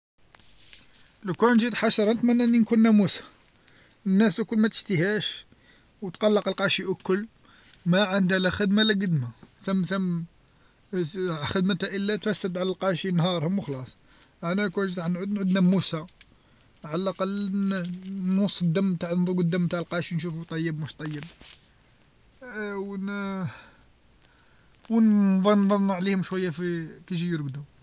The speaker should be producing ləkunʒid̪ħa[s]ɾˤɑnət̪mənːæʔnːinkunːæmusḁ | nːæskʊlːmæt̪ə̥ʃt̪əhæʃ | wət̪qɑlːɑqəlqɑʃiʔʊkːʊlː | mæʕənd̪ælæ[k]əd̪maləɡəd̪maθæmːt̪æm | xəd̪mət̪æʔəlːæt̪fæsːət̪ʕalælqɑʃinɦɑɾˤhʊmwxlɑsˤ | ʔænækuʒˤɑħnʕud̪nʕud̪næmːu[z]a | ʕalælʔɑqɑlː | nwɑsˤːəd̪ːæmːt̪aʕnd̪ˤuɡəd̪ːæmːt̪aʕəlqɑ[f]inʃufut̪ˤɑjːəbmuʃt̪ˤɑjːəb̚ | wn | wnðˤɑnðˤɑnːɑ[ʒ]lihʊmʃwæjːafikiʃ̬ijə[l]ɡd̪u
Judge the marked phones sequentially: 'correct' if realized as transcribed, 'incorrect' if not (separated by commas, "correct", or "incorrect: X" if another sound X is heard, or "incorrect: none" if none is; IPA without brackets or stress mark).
incorrect: ʃ, incorrect: x, incorrect: s, incorrect: ʃ, incorrect: ʕ, incorrect: ɾ